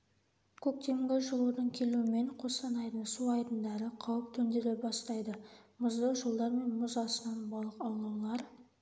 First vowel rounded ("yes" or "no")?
yes